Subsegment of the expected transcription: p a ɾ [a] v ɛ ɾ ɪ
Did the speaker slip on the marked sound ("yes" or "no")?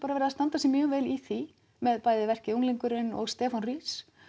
no